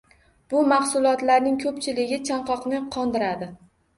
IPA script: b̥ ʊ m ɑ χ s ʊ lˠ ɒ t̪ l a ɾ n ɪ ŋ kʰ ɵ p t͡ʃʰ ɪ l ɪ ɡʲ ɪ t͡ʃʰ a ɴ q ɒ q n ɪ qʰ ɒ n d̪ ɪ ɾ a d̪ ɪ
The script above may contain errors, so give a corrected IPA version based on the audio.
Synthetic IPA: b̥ ʊ m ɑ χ s ʊ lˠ ɒ t̪ l a ɾ n ɪ ŋ kʰ ɵ p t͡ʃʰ ɪ l ɪ ɡʲ ɪ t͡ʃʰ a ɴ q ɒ q n ɪ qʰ ɒ n d̪ ɪ ɾ a d̪ ɪ